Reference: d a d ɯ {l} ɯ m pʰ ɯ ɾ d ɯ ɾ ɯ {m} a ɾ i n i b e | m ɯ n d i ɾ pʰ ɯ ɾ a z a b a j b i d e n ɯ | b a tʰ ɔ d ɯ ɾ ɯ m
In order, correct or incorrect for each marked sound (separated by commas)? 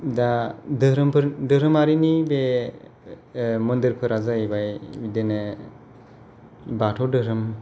incorrect, correct